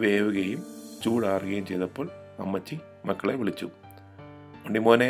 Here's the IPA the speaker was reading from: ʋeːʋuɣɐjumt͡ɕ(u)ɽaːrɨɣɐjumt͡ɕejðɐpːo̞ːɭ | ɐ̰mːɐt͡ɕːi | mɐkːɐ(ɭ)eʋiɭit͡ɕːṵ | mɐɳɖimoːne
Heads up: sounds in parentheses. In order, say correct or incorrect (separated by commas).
incorrect, correct